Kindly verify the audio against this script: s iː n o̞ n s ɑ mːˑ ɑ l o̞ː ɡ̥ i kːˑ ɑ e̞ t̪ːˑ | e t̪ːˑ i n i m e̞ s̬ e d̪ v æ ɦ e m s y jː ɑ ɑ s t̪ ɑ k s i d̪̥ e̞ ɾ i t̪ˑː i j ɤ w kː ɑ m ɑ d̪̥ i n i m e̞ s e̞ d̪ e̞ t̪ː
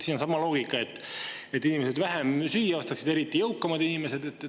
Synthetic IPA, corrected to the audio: s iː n o̞ n s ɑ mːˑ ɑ l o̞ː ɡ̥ i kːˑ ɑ e̞ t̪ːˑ | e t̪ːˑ i n i m e̞ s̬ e d̪ v æ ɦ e m s y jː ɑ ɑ s t̪ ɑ k s i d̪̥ e̞ ɾ i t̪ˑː i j ɤ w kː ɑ m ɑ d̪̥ i n i m e̞ s e̞ d̪ e̞ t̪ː